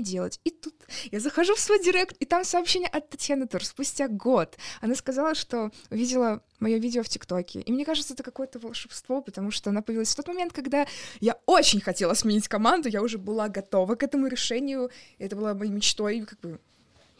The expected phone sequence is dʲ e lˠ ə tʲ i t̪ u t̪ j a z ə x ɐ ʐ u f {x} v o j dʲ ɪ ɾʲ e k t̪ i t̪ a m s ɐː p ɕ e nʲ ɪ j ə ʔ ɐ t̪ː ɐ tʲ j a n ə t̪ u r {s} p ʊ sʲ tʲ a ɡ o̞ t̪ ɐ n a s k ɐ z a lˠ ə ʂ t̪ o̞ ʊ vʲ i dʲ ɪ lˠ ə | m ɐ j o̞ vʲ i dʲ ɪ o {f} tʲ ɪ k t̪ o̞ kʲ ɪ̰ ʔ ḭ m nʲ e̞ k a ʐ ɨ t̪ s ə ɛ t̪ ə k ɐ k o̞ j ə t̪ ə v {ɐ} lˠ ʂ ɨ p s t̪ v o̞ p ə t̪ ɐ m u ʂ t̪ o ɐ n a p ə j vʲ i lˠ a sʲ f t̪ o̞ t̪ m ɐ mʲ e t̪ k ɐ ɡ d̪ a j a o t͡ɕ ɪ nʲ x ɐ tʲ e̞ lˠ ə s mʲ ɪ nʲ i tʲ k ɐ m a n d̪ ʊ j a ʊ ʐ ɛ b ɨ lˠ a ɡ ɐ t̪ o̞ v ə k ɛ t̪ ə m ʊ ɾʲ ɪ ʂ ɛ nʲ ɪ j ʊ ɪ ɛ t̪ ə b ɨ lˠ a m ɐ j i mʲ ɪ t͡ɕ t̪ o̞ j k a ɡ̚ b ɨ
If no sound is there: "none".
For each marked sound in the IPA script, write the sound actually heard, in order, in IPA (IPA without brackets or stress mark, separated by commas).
s, s, f, ə